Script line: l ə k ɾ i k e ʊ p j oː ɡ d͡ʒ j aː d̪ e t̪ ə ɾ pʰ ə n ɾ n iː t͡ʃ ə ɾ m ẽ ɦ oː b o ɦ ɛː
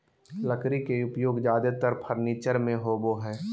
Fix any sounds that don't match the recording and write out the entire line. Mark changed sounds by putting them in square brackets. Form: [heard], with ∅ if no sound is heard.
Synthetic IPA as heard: l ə k ɾ i k e ʊ p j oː ɡ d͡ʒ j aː d̪ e t̪ ə ɾ pʰ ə [∅] ɾ n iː t͡ʃ ə ɾ m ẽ ɦ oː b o ɦ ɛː